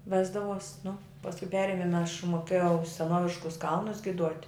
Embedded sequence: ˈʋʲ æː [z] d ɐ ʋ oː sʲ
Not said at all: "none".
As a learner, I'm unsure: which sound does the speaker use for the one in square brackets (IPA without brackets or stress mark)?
z